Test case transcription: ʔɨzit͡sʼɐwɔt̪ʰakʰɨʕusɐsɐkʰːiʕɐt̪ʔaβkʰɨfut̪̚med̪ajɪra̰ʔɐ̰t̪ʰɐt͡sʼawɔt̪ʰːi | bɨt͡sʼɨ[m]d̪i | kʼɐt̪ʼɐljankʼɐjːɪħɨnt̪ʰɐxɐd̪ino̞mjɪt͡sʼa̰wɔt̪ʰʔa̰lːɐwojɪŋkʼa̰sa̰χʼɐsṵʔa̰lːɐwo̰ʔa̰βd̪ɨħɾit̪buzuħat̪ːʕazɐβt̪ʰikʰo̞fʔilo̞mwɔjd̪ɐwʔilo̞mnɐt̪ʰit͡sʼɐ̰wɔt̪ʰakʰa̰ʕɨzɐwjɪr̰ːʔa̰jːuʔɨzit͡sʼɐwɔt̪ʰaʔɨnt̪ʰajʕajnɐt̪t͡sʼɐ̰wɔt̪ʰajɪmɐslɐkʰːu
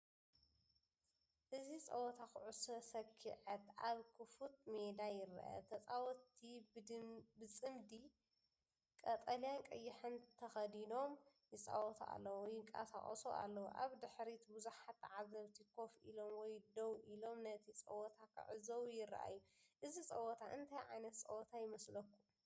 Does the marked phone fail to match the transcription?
no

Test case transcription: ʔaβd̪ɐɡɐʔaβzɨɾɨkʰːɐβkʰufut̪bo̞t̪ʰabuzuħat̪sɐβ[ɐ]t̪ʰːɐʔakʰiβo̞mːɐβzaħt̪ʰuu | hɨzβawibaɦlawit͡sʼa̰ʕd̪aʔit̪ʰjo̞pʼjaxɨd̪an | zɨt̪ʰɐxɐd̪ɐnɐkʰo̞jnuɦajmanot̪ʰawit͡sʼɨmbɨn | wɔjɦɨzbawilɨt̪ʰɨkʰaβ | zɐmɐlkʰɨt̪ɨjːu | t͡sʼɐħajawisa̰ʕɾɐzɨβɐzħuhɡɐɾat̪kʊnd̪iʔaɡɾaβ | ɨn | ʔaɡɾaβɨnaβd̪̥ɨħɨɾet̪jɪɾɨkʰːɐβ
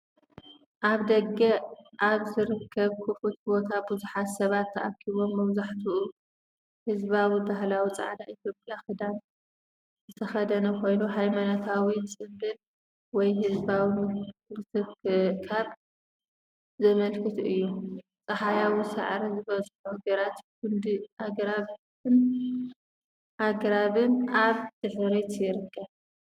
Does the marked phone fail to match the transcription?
yes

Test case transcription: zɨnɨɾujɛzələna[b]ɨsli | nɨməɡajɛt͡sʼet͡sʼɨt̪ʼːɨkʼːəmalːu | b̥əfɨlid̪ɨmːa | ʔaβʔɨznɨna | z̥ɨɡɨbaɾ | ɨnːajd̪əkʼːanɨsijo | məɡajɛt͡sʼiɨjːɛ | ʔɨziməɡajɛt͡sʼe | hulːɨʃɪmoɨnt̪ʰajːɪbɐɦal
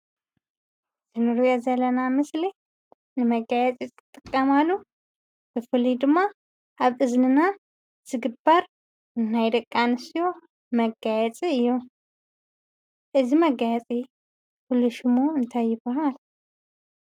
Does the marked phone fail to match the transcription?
yes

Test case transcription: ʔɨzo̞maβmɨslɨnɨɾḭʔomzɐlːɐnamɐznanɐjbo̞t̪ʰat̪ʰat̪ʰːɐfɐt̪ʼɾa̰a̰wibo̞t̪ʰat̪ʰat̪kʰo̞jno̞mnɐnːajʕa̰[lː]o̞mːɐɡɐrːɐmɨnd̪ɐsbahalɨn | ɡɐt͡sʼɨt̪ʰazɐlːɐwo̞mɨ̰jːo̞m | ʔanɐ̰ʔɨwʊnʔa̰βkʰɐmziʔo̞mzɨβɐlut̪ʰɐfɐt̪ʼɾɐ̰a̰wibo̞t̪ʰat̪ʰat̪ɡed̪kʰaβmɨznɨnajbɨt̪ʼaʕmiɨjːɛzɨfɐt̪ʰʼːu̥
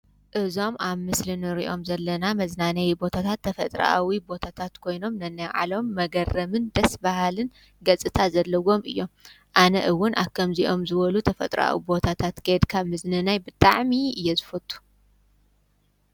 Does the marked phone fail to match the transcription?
yes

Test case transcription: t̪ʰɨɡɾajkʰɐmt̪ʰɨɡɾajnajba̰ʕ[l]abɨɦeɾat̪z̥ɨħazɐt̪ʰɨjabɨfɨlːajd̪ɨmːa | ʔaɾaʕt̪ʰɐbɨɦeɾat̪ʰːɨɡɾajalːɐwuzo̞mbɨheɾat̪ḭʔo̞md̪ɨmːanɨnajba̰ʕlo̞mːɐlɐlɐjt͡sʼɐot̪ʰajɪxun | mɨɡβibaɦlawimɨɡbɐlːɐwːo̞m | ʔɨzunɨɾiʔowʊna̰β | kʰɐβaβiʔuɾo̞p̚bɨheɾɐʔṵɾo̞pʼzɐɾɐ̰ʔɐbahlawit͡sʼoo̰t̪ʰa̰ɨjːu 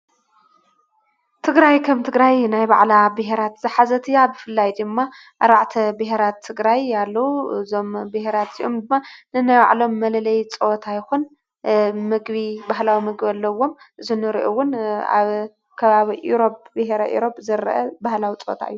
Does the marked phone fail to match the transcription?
no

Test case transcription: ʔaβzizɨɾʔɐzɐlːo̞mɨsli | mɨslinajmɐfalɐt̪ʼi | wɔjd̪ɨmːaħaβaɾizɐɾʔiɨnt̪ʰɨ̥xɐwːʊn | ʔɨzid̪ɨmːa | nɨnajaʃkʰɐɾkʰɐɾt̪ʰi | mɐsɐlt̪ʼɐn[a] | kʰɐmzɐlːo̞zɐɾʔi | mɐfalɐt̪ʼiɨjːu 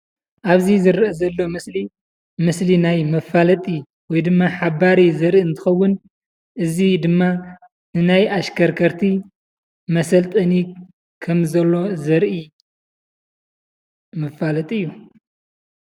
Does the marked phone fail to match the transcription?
yes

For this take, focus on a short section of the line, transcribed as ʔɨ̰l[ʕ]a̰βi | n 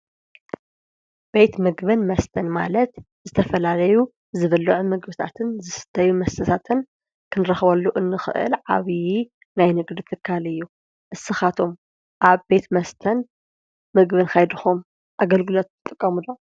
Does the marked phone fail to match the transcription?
no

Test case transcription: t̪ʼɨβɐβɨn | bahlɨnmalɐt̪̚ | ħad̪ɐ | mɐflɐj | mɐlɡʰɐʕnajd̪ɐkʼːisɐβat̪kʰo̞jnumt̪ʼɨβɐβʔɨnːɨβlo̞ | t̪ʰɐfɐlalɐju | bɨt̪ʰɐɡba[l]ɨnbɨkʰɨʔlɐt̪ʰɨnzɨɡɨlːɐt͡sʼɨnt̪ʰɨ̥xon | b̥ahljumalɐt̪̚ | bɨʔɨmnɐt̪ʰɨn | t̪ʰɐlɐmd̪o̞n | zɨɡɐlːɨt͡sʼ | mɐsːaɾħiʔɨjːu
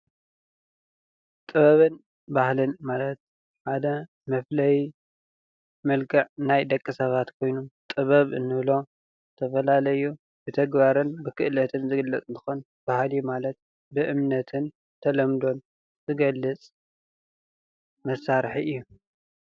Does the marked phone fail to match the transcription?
yes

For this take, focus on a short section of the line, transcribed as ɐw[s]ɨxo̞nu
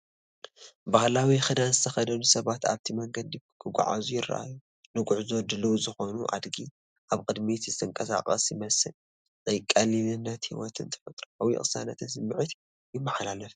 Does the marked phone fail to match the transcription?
yes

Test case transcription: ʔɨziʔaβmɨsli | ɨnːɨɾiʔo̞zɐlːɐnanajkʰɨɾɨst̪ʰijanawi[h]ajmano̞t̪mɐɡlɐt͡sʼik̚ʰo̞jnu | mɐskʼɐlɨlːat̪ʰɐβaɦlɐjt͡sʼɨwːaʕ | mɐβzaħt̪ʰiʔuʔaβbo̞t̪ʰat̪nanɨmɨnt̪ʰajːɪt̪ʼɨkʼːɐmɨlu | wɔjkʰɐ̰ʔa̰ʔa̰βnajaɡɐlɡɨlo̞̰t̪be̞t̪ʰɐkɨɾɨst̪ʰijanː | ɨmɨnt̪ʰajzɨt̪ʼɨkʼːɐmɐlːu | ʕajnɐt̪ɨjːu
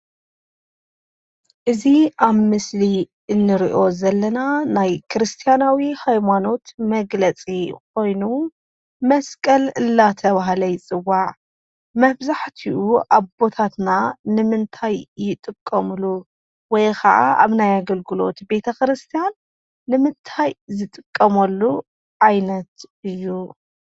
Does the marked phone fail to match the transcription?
no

